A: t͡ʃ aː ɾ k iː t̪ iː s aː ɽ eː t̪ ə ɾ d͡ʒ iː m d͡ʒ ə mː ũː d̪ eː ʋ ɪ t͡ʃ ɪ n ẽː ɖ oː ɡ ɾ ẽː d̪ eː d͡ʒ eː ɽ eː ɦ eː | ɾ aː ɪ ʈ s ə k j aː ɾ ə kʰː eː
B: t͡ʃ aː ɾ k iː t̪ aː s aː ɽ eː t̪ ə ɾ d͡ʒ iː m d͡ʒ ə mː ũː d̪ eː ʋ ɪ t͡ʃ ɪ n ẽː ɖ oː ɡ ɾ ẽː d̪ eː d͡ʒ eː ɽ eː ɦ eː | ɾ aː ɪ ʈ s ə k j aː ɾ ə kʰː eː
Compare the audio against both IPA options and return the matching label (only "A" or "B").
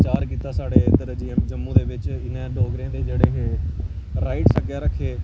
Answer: B